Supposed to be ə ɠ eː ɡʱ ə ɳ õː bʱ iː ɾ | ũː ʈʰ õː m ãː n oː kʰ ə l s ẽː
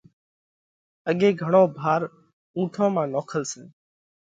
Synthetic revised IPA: ə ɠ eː ɡʱ ə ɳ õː bʱ aː ɾ | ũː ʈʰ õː m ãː n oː kʰ ə l s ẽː